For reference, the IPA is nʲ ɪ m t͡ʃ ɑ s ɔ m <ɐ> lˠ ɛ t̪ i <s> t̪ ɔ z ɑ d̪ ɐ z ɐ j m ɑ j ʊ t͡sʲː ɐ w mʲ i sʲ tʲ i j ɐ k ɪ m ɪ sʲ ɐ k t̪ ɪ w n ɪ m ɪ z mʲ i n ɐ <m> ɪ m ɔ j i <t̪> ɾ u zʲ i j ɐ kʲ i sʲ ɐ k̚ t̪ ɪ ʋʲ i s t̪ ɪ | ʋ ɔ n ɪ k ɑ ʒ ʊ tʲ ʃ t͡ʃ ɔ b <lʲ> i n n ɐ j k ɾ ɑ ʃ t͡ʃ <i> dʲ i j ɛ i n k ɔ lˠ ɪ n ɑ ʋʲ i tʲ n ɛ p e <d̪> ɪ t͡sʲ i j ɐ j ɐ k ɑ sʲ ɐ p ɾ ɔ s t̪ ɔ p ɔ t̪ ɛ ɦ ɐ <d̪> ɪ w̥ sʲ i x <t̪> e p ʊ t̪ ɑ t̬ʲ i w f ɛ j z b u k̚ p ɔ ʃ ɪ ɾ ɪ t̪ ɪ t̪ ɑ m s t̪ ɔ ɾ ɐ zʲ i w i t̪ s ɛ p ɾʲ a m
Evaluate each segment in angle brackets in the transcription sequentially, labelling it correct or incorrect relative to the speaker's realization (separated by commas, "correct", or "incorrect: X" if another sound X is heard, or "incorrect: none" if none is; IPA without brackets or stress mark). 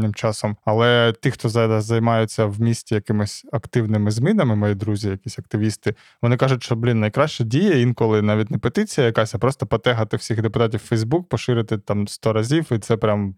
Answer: correct, incorrect: x, correct, incorrect: d̪, correct, incorrect: ɛ, incorrect: t̪, incorrect: t̪, incorrect: d̪